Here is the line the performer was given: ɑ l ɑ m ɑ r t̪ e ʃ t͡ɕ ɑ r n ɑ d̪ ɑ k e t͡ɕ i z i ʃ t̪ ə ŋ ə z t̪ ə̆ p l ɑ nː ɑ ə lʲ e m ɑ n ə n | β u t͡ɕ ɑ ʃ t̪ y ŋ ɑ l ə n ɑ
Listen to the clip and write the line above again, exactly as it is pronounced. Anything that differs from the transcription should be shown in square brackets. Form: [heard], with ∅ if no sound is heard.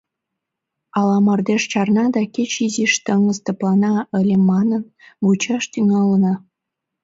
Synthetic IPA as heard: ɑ l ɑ m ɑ r [d̪] e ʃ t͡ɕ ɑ r n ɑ d̪ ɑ k e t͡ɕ i z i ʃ t̪ ə ŋ ə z t̪ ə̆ p l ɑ [n] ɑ ə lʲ e m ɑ n ə n | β u t͡ɕ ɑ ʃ t̪ y ŋ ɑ l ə n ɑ

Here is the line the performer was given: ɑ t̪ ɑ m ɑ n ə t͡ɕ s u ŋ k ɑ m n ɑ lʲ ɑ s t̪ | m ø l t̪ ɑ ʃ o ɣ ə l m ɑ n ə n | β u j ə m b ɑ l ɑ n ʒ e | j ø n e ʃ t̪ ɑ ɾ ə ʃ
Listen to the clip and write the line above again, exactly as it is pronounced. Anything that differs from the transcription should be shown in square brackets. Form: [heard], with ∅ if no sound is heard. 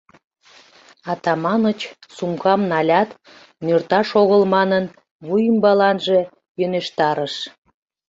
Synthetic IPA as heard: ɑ t̪ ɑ m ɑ n ə t͡ɕ s u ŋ k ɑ m n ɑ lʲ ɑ [∅] t̪ | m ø [r] t̪ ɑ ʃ o ɣ ə l m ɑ n ə n | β u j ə m b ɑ l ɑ n ʒ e | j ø n e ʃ t̪ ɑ ɾ ə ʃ

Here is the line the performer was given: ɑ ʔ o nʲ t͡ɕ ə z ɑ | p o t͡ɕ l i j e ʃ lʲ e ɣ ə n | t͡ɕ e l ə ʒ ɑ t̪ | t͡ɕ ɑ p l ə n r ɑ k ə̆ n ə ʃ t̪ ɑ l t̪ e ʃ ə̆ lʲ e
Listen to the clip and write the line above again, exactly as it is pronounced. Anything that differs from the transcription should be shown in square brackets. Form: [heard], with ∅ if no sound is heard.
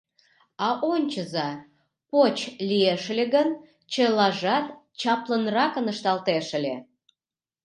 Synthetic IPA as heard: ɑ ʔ o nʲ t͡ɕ ə z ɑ | p o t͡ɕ l i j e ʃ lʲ e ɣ ə n | t͡ɕ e l [ɑ] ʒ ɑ t̪ | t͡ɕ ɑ p l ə n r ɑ k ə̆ n ə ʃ t̪ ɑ l t̪ e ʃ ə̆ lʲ e

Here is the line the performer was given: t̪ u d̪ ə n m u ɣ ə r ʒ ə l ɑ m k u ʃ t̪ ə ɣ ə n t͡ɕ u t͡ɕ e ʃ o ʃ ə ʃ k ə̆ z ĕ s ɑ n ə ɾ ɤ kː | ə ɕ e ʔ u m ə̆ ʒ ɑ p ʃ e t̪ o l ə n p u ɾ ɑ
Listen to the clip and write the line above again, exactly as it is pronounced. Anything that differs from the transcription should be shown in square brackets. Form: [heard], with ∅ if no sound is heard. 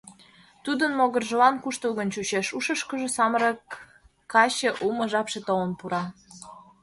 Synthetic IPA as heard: t̪ u d̪ ə n m [o] ɣ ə r ʒ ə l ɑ [n] k u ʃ t̪ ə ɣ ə n t͡ɕ u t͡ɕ e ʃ [u] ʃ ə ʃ k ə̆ [ʒ] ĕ s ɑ [m] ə ɾ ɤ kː | [ɑ] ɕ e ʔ u m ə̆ ʒ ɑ p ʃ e t̪ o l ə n p u ɾ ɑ

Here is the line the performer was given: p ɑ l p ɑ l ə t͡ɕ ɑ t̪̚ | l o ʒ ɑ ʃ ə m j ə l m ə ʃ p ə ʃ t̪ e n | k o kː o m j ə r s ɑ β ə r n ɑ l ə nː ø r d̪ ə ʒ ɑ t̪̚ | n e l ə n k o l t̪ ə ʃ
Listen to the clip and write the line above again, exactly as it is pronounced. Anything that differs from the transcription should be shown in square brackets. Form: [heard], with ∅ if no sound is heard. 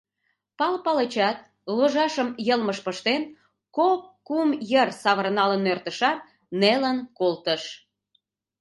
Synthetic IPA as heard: p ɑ l p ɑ l ə t͡ɕ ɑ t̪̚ | l o ʒ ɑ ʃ ə m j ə l m ə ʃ p ə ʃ t̪ e n | k o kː [u] m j ə r s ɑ β ə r n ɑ l ə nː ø r [t̪] ə [ʃ] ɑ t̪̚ | n e l ə n k o l t̪ ə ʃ

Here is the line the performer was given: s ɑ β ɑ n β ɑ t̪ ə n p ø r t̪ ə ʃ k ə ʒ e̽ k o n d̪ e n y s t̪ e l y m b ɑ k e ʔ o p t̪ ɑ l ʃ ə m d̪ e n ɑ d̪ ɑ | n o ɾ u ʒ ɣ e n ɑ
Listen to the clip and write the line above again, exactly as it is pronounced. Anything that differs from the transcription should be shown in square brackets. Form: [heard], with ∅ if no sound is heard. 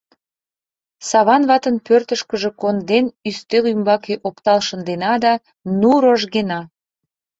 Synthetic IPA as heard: s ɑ β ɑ n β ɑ t̪ ə n p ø r t̪ ə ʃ k ə ʒ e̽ k o n d̪ e n y s t̪ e l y m b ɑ k e ʔ o p t̪ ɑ l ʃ ə [n] d̪ e n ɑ d̪ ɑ | n [u] ɾ [o] ʒ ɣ e n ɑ

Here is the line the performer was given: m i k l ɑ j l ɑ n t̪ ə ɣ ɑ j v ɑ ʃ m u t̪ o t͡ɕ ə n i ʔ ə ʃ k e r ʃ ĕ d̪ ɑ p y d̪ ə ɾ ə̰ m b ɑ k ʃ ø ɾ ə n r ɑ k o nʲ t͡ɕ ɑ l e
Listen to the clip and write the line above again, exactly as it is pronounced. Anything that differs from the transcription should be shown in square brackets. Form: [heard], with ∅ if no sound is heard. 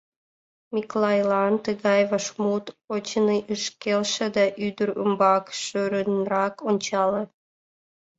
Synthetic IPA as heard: m i k l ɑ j l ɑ n t̪ ə ɣ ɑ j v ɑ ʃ m u t̪ o t͡ɕ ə n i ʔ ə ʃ k e [l] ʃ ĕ d̪ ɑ [ʔ] y d̪ ə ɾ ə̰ m b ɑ k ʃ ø ɾ ə n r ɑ k o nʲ t͡ɕ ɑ l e

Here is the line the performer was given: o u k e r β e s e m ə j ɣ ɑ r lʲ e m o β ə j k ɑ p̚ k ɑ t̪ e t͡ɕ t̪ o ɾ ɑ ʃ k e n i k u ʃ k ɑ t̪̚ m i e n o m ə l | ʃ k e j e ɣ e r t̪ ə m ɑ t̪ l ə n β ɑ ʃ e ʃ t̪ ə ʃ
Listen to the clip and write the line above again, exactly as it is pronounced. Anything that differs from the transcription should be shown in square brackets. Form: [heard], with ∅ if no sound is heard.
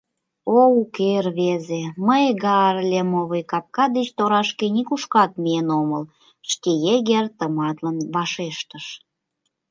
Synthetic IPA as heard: o u k e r β e [z] e m ə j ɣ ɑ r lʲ e m o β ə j k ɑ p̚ k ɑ [d̪] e t͡ɕ t̪ o ɾ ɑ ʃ k e n i k u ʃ k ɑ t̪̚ m i e n o m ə l | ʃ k e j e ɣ e r t̪ ə m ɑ t̪ l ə n β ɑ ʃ e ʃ t̪ ə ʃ

